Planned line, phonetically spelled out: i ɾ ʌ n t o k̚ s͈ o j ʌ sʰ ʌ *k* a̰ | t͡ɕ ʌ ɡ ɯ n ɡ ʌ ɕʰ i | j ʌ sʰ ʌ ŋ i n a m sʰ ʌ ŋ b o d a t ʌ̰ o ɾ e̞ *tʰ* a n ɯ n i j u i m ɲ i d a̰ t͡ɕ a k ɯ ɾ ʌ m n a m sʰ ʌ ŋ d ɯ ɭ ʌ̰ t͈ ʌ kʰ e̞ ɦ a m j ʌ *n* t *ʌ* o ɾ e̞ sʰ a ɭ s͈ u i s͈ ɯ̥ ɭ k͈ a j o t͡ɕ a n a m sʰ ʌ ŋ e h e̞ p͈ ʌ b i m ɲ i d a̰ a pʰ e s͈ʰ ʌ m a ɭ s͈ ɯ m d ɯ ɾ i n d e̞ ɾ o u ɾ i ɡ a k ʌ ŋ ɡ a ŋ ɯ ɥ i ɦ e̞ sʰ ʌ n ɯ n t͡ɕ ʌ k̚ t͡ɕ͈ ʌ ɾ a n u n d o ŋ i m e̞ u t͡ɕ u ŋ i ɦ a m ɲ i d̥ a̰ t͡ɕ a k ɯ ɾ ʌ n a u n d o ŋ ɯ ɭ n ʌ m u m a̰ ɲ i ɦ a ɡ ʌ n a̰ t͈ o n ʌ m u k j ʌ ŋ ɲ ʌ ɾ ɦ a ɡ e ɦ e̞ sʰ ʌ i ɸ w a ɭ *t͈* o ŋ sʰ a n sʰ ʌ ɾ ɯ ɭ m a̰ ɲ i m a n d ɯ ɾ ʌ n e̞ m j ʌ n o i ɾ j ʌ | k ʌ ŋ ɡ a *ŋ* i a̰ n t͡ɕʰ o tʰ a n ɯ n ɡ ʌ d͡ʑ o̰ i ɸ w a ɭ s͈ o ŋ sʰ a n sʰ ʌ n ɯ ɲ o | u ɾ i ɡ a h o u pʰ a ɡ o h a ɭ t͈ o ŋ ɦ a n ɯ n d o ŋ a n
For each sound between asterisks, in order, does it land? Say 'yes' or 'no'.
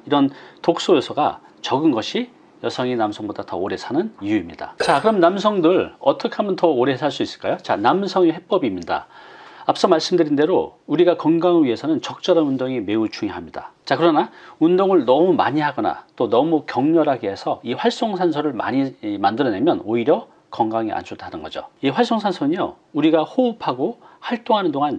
no, no, yes, yes, no, yes

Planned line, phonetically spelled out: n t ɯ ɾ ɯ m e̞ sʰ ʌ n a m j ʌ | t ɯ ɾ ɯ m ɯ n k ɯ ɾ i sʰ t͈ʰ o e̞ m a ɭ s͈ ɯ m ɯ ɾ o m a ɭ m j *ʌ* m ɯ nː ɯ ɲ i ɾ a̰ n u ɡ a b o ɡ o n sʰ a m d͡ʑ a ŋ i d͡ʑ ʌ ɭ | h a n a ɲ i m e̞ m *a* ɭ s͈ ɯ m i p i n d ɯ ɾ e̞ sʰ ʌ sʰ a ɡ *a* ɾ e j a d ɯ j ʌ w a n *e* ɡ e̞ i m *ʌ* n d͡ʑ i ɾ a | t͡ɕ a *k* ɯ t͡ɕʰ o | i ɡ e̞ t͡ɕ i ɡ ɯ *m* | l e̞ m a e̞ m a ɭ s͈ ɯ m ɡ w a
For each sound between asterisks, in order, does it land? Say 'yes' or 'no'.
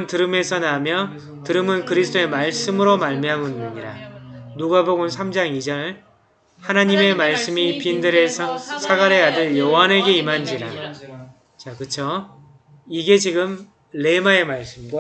no, yes, yes, yes, no, yes, yes

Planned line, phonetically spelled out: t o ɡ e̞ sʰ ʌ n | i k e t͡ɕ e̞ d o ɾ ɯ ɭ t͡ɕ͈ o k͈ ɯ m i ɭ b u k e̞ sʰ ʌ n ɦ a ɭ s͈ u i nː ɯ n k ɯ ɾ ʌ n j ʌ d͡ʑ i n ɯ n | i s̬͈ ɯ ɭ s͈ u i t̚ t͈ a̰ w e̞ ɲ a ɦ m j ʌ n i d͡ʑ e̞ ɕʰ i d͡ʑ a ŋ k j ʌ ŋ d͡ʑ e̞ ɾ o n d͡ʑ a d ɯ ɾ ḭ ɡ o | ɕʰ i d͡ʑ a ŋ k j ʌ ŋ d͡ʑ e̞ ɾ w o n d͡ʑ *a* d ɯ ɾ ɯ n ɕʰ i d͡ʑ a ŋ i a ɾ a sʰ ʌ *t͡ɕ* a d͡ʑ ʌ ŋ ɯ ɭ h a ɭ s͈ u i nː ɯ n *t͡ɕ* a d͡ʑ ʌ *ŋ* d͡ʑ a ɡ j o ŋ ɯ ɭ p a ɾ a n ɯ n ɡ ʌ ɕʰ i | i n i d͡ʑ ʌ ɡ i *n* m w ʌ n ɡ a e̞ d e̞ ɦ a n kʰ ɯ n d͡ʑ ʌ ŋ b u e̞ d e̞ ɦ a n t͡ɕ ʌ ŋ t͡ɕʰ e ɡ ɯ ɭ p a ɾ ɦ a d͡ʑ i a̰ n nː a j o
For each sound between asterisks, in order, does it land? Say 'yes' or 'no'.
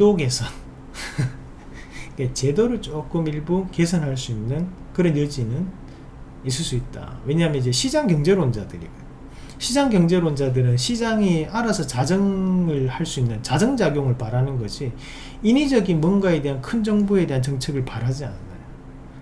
yes, yes, yes, yes, yes

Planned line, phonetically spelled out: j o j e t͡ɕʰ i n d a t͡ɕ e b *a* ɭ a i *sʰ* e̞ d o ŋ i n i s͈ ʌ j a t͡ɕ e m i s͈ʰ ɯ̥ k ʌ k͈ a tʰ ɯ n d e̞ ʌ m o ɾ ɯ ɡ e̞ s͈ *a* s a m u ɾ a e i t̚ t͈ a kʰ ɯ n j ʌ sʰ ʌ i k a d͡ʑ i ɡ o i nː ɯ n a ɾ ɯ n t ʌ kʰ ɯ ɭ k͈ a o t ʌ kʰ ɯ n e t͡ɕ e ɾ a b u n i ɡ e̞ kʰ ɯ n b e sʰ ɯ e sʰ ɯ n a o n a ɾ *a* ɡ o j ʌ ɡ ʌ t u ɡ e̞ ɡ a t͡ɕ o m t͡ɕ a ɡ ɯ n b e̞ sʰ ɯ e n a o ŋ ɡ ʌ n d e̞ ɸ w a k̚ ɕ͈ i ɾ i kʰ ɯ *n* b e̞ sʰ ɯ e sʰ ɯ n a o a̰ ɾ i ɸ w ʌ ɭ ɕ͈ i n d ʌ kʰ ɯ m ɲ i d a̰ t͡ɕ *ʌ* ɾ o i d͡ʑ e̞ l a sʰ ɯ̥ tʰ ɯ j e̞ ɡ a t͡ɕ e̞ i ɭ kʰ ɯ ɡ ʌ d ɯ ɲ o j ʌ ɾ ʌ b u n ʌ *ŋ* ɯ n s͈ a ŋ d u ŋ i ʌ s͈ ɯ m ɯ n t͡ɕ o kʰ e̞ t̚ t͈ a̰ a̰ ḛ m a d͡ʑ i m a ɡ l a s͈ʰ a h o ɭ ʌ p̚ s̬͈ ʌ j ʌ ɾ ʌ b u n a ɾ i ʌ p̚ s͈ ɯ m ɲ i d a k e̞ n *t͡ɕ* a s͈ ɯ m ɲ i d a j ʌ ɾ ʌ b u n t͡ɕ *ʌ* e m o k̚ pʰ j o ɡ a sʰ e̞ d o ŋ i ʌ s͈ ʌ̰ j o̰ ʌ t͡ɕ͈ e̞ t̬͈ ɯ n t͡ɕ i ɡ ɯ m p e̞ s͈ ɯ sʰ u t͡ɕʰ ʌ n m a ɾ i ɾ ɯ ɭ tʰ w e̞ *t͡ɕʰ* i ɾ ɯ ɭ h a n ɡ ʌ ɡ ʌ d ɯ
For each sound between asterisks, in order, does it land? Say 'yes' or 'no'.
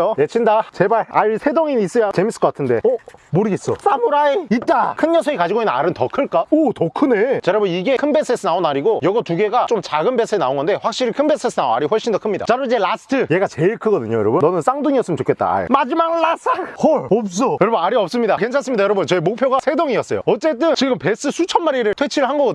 yes, yes, no, no, yes, no, no, no, yes, yes

